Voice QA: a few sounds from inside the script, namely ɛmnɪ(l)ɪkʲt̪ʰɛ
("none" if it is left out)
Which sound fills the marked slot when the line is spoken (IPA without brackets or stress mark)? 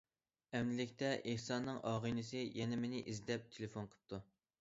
l